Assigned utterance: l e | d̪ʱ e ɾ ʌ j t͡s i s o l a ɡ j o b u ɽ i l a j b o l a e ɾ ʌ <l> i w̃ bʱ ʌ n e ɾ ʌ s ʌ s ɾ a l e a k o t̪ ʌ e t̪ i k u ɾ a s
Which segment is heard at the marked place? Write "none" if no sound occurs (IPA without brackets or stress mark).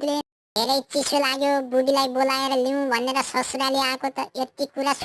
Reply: l